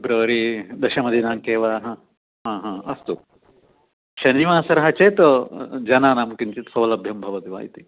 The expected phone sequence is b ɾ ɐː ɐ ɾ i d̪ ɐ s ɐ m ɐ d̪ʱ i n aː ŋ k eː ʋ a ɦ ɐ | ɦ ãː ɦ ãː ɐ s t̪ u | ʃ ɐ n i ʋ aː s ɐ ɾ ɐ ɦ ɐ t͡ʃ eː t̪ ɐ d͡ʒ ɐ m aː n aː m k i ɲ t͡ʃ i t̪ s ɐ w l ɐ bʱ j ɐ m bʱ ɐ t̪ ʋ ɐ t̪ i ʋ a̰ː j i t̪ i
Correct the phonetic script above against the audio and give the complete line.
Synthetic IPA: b ɾ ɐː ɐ ɾ i d̪ ɐ ʃ ɐ m ɐ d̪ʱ i n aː ŋ k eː ʋ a ɦ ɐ | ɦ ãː ɦ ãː ɐ s t̪ u | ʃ ɐ n i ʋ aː s ɐ ɾ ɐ ɦ ɐ t͡ʃ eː t̪ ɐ d͡ʒ ɐ n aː n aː m k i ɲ t͡ʃ i t̪ s ɐ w l ɐ bʱ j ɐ m bʱ ɐ ʋ ɐ t̪ i ʋ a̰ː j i t̪ i